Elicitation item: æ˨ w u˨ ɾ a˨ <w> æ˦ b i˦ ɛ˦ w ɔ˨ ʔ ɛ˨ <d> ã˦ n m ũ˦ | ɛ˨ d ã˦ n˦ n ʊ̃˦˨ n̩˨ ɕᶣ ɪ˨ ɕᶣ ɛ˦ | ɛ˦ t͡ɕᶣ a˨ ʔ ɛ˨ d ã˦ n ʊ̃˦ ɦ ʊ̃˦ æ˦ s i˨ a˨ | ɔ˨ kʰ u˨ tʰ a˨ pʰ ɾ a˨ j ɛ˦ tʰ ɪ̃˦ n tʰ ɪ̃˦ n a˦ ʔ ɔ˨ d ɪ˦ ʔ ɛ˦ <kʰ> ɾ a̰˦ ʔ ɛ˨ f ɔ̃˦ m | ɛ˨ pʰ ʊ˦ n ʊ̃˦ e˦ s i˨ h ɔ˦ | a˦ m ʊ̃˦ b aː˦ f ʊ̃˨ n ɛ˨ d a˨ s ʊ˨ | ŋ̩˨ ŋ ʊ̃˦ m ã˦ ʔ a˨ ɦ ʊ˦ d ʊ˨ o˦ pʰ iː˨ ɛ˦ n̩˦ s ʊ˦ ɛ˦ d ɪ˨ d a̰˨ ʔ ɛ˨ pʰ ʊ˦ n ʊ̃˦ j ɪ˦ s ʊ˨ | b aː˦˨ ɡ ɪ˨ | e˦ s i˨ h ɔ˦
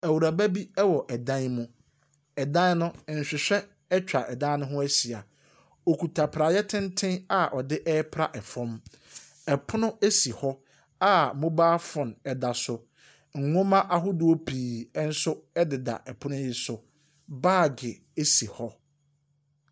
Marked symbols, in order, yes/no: no, yes, no

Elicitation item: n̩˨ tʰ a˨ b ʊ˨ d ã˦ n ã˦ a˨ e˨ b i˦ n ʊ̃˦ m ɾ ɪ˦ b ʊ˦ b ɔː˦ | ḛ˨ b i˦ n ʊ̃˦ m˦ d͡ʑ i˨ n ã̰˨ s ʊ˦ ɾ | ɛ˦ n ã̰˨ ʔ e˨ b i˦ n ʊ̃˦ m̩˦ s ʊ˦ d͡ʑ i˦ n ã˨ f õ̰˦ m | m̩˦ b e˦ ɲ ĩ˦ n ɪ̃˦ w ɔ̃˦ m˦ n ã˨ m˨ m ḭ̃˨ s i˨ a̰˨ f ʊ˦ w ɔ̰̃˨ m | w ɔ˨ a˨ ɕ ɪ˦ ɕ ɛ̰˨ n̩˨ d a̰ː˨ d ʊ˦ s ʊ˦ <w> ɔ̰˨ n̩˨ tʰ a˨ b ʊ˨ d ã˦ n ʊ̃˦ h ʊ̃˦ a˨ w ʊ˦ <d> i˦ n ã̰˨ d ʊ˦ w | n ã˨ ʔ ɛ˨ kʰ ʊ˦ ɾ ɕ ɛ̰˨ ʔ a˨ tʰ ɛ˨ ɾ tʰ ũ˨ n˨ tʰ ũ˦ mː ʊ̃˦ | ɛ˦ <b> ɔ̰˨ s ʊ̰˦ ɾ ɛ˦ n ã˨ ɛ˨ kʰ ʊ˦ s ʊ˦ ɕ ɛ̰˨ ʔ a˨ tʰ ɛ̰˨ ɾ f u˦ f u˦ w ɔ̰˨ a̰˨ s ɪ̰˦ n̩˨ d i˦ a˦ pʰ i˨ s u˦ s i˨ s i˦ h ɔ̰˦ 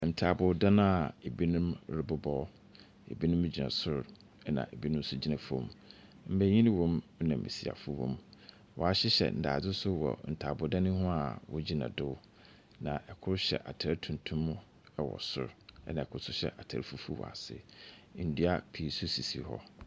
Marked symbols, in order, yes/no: yes, no, no

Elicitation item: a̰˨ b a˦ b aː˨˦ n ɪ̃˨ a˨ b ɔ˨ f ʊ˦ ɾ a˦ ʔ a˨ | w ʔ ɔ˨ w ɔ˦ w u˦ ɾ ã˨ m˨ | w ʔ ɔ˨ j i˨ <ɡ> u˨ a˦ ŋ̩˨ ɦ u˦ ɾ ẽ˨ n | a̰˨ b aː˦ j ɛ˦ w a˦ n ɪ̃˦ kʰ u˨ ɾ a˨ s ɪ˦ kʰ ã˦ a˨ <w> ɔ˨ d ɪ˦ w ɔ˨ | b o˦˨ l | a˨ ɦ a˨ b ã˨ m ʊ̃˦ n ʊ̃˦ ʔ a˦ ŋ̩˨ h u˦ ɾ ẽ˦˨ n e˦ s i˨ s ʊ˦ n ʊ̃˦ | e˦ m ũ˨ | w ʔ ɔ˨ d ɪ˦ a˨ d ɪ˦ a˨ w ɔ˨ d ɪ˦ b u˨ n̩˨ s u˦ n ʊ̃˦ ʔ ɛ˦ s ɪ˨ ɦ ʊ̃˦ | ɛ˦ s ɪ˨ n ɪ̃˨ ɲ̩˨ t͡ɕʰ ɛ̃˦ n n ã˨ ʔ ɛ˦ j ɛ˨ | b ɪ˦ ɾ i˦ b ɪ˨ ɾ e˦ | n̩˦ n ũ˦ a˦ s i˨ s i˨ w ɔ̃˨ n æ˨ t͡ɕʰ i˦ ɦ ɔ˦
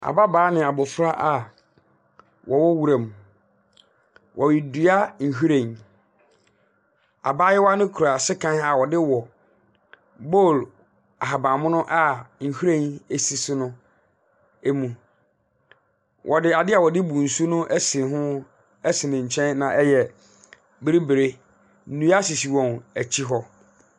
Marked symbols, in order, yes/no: no, yes

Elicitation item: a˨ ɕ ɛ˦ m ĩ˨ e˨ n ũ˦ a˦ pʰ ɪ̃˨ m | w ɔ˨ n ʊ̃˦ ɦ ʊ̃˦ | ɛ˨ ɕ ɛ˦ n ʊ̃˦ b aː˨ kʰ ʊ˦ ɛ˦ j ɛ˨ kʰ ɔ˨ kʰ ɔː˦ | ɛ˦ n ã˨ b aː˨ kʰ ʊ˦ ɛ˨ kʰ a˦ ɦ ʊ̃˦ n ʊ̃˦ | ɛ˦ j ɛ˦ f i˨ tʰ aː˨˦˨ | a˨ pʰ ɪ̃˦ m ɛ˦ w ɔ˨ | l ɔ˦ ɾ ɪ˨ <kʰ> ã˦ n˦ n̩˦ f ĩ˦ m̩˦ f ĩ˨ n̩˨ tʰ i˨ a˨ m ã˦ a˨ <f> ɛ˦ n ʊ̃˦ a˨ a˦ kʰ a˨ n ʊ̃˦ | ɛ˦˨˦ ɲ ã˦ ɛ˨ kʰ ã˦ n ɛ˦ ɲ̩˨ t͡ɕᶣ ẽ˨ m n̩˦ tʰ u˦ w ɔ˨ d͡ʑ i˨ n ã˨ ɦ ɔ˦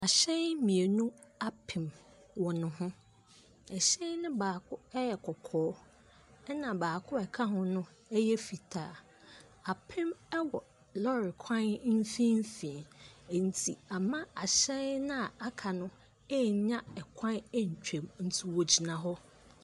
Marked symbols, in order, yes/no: yes, no

